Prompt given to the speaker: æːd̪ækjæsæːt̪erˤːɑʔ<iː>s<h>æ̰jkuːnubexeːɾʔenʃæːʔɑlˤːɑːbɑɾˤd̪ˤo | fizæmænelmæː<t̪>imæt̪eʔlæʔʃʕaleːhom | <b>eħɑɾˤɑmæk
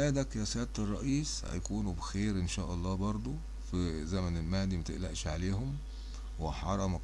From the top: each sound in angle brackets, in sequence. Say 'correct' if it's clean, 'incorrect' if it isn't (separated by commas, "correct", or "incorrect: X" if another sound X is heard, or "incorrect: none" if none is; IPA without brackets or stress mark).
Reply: correct, correct, incorrect: d̪, incorrect: w